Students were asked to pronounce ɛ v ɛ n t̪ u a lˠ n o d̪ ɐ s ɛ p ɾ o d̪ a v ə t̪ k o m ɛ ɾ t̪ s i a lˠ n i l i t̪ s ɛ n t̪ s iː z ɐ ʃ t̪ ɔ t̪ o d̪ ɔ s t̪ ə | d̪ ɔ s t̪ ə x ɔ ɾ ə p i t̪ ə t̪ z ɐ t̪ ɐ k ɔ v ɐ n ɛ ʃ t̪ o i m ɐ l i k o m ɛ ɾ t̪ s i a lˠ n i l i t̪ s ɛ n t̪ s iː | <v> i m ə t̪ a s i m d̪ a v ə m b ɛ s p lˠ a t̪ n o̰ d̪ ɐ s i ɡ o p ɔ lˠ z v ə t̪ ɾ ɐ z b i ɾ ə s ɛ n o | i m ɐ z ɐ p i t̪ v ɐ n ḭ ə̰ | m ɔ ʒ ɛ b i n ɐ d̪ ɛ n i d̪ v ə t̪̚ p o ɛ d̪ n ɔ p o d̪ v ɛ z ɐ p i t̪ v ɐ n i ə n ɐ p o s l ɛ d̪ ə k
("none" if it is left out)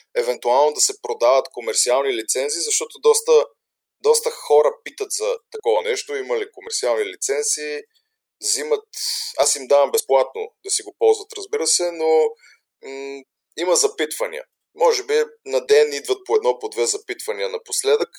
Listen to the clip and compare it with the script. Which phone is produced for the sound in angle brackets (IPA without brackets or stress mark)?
z